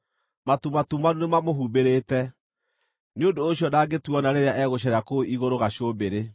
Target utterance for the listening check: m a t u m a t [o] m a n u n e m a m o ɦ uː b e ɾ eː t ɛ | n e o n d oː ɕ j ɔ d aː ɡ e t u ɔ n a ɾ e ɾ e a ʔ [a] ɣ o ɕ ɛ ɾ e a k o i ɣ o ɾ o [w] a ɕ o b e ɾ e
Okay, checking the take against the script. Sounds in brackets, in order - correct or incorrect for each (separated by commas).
incorrect, incorrect, incorrect